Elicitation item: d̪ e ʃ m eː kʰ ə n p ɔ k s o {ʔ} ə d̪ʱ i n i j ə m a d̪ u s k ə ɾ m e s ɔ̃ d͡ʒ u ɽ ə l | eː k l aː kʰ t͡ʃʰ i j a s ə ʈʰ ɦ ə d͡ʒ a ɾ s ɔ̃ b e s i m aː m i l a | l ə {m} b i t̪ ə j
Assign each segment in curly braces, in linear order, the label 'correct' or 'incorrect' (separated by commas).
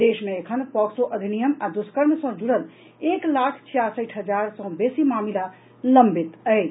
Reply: correct, correct